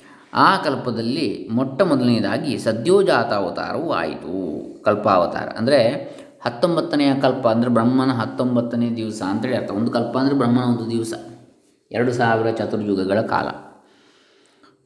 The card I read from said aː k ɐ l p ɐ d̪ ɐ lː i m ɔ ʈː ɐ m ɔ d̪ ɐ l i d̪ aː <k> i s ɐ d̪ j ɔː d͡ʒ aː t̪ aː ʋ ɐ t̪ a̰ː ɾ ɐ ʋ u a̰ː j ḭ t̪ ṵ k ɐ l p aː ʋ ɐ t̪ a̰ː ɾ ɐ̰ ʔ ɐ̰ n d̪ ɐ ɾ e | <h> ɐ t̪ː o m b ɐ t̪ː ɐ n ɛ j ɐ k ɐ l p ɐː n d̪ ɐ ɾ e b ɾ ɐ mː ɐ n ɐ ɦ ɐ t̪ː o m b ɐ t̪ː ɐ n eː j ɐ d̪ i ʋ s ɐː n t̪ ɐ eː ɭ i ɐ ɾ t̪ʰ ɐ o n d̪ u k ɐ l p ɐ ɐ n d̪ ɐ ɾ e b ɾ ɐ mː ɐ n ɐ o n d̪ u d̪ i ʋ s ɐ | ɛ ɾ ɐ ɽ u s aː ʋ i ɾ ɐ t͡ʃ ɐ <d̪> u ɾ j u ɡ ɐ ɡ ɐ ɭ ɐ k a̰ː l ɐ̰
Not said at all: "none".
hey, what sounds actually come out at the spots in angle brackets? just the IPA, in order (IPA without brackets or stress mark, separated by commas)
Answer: ɡ, h, t̪